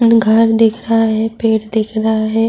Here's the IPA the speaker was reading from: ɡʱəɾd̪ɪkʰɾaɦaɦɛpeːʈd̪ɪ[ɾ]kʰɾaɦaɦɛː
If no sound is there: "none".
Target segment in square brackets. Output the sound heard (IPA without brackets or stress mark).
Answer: none